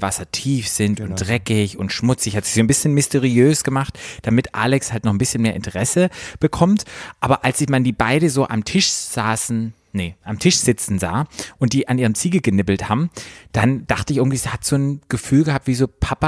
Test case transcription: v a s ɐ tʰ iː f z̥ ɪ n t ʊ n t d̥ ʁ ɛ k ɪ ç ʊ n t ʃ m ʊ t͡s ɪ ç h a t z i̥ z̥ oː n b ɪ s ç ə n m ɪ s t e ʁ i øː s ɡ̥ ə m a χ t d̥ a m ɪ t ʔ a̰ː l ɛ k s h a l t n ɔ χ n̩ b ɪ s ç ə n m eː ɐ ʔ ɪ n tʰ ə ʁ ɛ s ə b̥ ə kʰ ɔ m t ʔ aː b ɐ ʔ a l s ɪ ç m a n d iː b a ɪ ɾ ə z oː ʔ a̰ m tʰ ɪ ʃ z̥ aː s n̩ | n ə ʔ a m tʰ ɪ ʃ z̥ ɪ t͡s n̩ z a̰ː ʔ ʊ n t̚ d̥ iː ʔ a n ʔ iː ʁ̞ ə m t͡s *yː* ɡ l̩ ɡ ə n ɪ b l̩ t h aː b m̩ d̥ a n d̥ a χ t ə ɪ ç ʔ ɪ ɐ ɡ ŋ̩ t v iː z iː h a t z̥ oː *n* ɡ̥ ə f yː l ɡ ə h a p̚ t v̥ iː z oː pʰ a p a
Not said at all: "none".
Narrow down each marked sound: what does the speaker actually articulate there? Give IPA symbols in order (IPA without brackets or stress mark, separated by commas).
iː, n